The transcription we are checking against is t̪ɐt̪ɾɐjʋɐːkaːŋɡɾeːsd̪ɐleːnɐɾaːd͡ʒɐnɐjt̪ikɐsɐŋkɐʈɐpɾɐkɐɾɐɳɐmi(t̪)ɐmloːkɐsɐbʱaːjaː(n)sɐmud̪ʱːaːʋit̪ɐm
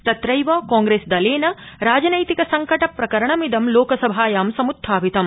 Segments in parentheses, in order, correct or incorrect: incorrect: d̪, incorrect: m

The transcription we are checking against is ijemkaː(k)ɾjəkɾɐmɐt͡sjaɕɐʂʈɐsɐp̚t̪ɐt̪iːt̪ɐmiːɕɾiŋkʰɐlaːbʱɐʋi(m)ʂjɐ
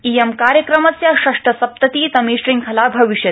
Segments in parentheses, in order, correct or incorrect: incorrect: none, incorrect: none

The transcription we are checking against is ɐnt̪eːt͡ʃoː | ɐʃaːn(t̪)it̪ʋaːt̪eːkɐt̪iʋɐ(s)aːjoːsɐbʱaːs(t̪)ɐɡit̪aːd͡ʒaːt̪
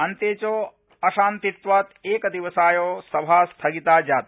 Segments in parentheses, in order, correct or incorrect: correct, correct, incorrect: t̪ʰ

